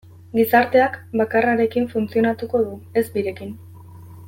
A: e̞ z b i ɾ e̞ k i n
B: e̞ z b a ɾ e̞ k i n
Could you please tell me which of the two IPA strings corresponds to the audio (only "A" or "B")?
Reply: A